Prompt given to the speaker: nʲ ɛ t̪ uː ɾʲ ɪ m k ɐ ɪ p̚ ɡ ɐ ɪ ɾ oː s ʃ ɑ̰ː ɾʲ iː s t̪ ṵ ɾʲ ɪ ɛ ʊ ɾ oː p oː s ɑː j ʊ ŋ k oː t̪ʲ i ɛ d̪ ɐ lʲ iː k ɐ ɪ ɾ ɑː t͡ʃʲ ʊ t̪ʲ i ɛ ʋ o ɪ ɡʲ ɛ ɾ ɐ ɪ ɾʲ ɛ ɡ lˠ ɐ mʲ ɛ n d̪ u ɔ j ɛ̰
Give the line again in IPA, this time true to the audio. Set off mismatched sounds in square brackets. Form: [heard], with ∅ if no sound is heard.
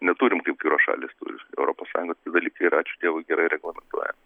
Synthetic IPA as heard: nʲ ɛ t̪ uː ɾʲ ɪ m k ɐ ɪ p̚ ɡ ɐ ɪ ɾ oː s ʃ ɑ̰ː [lʲ] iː s t̪ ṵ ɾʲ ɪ ɛ ʊ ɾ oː p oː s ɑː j ʊ ŋ [ɡ] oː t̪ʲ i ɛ d̪ ɐ lʲ iː k ɐ ɪ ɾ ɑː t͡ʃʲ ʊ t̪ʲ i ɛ ʋ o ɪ ɡʲ ɛ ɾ ɐ ɪ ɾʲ ɛ ɡ lˠ ɐ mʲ ɛ n [t̪] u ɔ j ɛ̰